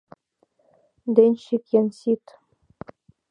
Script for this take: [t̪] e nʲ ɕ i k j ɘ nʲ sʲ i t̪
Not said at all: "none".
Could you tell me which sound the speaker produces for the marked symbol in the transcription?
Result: d̪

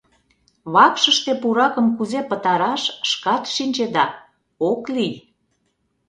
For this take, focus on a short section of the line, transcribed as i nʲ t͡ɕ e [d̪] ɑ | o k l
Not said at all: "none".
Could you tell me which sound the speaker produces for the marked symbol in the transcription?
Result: d̪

